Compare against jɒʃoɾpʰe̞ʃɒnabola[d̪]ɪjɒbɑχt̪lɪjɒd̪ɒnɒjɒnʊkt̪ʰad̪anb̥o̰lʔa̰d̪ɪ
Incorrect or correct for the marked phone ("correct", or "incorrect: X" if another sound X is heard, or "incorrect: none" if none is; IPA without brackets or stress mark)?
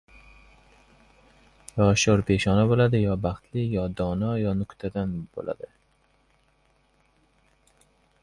correct